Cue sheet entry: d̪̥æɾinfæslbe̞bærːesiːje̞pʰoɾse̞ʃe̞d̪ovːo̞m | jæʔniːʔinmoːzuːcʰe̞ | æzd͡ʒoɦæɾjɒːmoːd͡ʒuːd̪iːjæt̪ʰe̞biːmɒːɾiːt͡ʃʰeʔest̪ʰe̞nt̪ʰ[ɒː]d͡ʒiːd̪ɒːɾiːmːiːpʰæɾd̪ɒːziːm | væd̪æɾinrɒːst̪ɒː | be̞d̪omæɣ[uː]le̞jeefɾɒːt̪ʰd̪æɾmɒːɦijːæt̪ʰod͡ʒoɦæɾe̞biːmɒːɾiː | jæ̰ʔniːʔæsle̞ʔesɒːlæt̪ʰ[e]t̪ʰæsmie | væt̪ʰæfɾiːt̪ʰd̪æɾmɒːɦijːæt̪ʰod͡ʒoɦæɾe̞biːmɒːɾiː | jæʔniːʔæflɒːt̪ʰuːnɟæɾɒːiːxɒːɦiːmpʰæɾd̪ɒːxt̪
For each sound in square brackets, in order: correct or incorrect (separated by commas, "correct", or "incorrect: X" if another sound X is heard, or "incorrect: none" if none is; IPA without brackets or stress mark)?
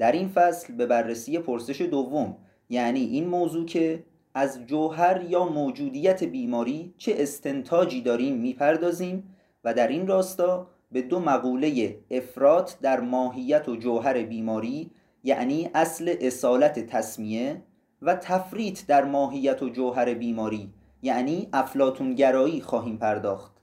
correct, correct, correct